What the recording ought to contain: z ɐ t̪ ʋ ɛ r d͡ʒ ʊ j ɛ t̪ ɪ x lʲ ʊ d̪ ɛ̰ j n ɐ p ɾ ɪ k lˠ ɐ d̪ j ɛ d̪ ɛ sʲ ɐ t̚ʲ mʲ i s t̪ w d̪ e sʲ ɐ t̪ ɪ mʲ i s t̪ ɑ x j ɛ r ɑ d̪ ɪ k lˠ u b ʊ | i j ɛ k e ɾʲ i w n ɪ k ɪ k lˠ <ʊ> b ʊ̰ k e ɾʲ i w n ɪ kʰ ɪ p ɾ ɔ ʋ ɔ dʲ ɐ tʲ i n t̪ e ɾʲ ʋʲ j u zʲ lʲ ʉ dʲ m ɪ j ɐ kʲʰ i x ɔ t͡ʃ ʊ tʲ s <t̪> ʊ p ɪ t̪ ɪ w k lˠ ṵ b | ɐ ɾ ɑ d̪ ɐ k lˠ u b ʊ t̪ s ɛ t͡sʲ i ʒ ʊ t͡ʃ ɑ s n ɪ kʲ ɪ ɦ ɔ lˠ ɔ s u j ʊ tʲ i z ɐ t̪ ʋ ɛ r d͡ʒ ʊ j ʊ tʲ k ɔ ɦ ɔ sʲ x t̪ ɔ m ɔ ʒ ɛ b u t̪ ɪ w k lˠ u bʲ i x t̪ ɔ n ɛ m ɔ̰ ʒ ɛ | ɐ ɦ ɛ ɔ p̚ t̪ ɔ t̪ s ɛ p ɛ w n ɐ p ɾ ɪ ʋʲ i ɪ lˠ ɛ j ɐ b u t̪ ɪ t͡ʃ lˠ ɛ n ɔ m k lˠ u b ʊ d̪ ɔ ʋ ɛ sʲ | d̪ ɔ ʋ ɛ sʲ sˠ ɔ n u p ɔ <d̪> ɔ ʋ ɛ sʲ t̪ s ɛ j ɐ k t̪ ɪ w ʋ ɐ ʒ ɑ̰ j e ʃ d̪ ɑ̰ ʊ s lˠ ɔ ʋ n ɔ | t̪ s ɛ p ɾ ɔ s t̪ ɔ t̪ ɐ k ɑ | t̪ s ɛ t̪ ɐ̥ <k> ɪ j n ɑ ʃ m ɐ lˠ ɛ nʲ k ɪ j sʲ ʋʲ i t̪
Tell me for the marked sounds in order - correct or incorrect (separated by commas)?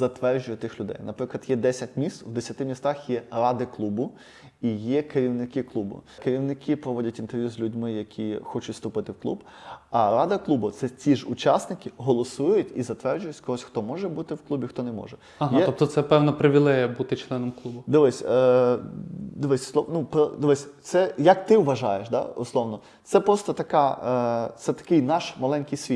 incorrect, correct, correct, correct